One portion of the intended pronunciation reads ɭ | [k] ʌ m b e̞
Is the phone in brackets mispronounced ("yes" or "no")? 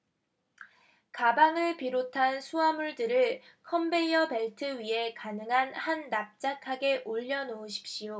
yes